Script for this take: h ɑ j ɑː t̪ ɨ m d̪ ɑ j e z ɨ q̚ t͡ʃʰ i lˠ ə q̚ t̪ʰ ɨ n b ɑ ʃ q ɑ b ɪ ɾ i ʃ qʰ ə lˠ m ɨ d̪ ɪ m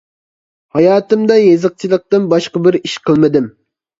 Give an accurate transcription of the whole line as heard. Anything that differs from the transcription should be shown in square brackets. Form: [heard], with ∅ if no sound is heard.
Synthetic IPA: h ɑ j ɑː t̪ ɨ m d̪ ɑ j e z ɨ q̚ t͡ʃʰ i lˠ ə q̚ [t̪] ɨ n b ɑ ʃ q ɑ b ɪ ɾ i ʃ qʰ ə lˠ m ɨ d̪ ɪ m